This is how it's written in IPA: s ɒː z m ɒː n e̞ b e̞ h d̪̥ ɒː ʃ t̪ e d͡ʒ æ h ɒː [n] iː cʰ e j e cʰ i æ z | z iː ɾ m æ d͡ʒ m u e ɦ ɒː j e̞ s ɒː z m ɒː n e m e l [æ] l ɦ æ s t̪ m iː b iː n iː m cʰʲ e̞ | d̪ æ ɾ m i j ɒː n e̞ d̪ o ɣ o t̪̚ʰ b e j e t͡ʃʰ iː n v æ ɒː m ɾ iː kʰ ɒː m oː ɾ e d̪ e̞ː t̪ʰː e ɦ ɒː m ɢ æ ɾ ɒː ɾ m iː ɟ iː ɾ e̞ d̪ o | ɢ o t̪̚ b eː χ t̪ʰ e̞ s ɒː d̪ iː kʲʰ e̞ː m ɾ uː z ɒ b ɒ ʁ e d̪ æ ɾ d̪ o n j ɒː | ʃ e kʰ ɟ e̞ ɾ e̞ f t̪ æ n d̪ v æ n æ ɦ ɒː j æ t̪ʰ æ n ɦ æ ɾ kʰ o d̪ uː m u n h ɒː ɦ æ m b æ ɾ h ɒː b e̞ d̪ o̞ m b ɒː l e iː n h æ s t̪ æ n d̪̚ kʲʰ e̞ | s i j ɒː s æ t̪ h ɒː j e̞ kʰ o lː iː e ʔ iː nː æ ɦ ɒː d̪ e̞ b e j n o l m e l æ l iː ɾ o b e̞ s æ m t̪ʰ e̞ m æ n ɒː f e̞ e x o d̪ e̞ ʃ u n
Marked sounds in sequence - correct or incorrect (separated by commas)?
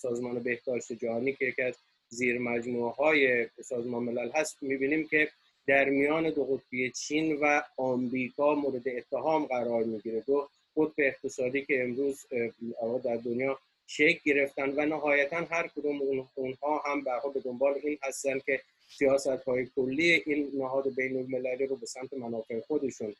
correct, correct